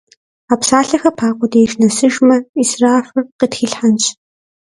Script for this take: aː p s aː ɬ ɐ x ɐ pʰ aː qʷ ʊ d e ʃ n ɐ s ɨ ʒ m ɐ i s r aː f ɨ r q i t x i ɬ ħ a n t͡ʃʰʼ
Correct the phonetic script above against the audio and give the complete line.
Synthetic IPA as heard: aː p s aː ɬ ɐ x ɐ pʰ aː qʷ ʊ d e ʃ n ɐ s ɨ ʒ m ɐ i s r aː f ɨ r q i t x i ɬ ħ a n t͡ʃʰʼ